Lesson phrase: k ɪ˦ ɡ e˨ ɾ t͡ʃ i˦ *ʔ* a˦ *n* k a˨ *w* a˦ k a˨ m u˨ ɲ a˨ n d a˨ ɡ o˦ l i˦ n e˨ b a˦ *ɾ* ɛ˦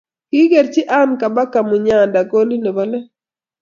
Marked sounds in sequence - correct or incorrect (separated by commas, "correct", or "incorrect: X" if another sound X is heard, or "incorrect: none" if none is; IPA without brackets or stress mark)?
correct, correct, incorrect: b, incorrect: l